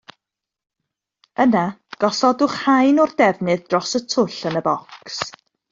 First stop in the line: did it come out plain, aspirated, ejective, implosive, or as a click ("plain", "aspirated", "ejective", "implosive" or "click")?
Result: plain